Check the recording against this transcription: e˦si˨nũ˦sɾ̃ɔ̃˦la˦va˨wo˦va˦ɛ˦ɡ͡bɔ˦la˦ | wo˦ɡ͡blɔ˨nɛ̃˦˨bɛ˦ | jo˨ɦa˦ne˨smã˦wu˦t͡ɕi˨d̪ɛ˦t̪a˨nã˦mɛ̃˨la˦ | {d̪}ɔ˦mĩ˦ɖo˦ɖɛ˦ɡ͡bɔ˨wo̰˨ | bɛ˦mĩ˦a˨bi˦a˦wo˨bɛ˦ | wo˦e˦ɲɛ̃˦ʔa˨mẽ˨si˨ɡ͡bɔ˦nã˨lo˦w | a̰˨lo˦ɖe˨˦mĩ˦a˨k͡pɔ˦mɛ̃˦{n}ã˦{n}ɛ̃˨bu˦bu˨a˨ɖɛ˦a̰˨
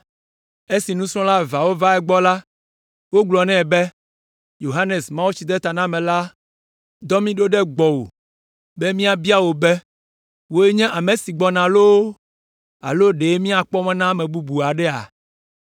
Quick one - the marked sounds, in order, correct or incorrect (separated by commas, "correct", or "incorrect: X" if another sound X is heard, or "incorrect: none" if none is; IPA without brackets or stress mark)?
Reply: correct, correct, incorrect: m